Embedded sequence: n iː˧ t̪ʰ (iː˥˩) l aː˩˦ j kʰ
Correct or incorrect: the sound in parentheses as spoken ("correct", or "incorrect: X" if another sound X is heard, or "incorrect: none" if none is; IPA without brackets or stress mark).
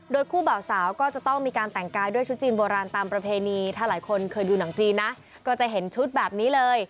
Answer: incorrect: aː˥˩